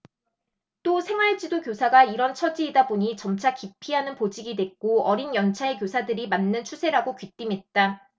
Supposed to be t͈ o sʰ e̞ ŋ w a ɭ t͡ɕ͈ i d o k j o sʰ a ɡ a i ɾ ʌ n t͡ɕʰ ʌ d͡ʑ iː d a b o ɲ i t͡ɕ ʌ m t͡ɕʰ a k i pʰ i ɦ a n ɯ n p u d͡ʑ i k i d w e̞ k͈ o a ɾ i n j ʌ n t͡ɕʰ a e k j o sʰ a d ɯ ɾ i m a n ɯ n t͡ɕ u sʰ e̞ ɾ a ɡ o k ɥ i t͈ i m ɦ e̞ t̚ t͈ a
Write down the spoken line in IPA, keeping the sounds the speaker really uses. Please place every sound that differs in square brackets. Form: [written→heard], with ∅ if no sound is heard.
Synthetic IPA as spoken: t͈ o sʰ e̞ ŋ w a ɭ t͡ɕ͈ i d o k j o sʰ a ɡ a i ɾ ʌ n t͡ɕʰ ʌ d͡ʑ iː d a b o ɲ i t͡ɕ ʌ m t͡ɕʰ a k i pʰ i ɦ a n ɯ n p [u→o] d͡ʑ i [k→ɡ] i d w e̞ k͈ o [a→ʌ] ɾ i n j ʌ n t͡ɕʰ a e k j o sʰ a d ɯ ɾ i m a [n→nː] ɯ n [t͡ɕ→t͡ɕʰ] u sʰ e̞ ɾ a ɡ o k ɥ i t͈ i m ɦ e̞ t̚ t͈ a